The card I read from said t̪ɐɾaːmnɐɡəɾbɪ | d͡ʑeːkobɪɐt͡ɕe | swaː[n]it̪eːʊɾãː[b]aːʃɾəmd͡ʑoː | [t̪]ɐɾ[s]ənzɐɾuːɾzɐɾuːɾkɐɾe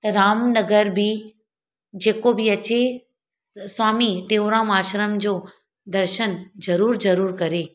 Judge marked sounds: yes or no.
no, no, no, no

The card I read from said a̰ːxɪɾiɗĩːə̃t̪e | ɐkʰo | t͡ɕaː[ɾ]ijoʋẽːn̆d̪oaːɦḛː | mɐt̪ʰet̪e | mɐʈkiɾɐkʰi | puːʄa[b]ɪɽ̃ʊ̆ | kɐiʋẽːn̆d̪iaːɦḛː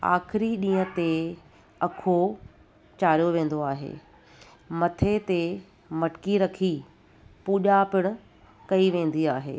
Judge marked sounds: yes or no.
yes, no

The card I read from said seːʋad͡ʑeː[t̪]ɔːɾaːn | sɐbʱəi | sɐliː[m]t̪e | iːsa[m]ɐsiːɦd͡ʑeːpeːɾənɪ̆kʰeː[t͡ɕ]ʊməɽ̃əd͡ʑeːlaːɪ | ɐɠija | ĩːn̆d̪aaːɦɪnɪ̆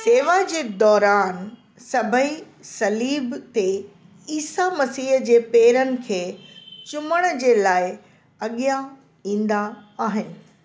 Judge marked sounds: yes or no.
no, no, yes, yes

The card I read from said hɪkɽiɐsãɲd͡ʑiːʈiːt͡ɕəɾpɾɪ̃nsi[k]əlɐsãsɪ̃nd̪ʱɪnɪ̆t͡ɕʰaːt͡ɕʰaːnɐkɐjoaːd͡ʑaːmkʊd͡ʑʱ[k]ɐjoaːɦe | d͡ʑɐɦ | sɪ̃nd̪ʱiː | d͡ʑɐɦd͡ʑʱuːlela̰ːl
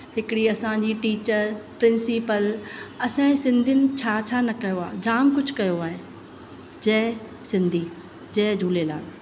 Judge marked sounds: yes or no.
no, yes

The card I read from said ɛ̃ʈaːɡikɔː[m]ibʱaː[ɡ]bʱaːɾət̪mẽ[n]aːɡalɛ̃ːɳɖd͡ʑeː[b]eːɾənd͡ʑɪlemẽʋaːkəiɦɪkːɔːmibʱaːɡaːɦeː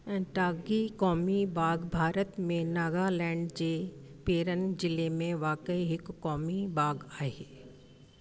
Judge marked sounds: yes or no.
yes, yes, yes, no

